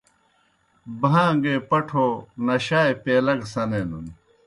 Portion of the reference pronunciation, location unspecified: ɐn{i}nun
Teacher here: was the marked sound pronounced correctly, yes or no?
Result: no